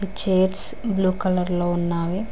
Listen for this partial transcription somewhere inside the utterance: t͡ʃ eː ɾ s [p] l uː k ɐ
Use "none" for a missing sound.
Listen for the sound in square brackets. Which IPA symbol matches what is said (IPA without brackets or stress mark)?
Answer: b